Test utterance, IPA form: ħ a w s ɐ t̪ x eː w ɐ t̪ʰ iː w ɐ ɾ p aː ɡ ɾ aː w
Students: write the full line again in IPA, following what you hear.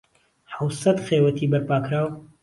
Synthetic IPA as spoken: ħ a w s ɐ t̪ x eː w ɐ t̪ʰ iː b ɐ ɾ p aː k ɾ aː w